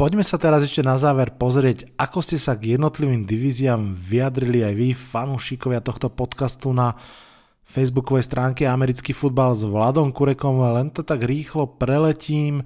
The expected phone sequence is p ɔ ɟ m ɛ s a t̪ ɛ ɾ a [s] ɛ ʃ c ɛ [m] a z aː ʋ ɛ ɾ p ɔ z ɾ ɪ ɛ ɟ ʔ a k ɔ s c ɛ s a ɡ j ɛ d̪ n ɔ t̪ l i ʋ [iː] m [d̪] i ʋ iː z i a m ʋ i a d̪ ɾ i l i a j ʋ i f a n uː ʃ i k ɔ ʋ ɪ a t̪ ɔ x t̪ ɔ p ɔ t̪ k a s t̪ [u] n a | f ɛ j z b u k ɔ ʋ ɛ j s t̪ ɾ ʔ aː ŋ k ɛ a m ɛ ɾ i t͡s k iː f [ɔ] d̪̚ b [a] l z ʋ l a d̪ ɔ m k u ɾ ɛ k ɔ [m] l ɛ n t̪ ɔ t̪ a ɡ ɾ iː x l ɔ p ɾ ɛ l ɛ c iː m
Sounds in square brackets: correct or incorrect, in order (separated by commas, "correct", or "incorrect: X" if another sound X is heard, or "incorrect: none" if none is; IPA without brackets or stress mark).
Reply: incorrect: z, incorrect: n, correct, correct, correct, incorrect: u, correct, correct